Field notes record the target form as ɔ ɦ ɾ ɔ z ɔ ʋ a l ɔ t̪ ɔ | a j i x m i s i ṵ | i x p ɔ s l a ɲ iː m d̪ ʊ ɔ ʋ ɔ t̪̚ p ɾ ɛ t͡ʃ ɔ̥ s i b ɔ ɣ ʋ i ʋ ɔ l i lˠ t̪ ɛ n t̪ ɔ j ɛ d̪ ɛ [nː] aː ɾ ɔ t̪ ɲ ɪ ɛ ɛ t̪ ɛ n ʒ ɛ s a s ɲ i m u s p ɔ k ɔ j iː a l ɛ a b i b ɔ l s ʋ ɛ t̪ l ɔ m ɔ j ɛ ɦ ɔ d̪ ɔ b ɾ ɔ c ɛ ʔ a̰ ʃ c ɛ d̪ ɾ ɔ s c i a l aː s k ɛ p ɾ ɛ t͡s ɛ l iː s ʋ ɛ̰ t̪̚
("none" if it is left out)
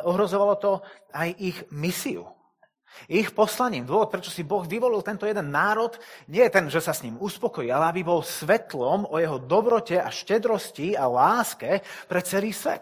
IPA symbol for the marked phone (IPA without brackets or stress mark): nː